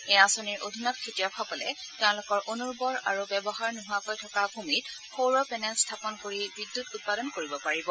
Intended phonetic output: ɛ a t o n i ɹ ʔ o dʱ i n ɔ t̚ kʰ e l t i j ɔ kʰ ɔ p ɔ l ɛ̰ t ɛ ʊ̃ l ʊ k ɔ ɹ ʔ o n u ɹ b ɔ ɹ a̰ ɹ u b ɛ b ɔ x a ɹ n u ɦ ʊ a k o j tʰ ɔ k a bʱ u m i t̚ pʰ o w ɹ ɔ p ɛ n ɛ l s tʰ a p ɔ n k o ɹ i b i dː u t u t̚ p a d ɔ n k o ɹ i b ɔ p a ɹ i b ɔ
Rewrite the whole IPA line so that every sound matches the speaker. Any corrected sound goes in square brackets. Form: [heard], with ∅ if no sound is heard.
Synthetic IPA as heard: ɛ a [s] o n i ɹ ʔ o dʱ i n ɔ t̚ kʰ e [∅] t i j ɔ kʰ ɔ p ɔ l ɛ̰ t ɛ ʊ̃ l ʊ k ɔ ɹ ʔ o n u ɹ b ɔ ɹ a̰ ɹ u b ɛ b ɔ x a ɹ n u ɦ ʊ a k o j tʰ ɔ k a bʱ u m i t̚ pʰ o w ɹ ɔ p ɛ n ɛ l s tʰ a p ɔ n k o ɹ i b i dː u t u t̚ p a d ɔ n k o ɹ i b ɔ p a ɹ i b ɔ